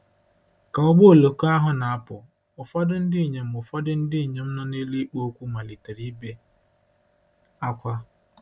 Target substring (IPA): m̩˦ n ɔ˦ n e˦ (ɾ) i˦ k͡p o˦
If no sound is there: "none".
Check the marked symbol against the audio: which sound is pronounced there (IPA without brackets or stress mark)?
l